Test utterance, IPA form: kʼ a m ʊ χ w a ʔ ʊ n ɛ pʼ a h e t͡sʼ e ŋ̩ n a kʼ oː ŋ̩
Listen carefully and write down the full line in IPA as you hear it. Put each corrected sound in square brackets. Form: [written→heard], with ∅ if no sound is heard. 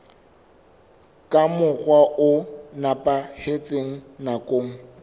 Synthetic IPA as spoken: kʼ a m ʊ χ w a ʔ ʊ n [ɛ→a] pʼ a h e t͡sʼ e ŋ̩ n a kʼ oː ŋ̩